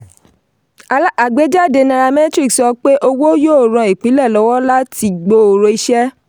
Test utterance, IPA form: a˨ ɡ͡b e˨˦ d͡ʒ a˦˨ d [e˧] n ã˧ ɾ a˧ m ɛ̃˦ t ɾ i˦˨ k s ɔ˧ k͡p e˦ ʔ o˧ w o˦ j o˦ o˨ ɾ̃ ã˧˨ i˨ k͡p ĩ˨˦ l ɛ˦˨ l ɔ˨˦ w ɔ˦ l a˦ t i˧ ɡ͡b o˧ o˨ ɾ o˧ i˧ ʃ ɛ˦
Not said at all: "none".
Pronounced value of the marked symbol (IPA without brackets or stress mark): e˧